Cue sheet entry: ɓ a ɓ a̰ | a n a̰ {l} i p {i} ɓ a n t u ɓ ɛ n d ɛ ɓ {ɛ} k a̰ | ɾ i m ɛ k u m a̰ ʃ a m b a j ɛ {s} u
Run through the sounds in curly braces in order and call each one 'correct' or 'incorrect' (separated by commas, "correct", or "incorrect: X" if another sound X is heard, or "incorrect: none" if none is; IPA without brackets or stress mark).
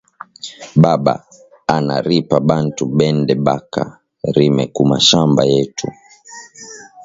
incorrect: ɾ, incorrect: a, incorrect: a, incorrect: t